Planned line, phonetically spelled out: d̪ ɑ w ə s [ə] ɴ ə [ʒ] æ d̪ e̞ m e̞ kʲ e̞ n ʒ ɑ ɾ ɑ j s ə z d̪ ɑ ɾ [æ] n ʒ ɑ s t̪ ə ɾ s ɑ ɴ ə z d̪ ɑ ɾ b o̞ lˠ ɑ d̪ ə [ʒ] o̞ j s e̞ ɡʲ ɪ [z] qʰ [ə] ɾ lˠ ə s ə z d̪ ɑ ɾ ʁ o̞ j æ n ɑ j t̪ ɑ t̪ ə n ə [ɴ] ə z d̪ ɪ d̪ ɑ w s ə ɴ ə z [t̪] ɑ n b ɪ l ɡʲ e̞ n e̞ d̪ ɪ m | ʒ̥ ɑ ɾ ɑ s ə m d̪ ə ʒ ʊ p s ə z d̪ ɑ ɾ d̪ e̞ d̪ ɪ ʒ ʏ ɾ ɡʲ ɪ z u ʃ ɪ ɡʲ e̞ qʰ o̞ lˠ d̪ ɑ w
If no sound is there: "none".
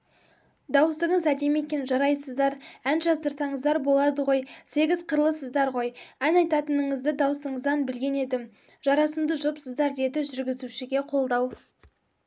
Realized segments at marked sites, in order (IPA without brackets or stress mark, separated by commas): ə, z, æ, ʁ, z, ə, ɴ, d̪